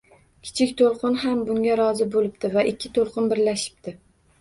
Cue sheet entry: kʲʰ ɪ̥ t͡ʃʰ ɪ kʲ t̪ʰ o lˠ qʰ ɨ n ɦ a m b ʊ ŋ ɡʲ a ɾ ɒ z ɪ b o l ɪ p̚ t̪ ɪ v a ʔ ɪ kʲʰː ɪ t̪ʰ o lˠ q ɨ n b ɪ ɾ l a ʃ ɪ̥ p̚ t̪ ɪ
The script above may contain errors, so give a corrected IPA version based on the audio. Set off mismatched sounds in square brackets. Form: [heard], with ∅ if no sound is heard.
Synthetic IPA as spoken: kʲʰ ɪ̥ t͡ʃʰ ɪ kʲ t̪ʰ o lˠ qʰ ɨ n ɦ a m b ʊ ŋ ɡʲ a ɾ ɒ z ɪ b o l ɪ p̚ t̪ ɪ v a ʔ ɪ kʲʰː ɪ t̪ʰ o lˠ q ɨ n b ɪ ɾ l a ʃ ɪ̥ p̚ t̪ ɪ